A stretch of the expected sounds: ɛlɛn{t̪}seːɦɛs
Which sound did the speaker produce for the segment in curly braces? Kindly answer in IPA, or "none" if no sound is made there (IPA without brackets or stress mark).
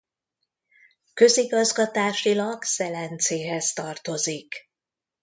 t̪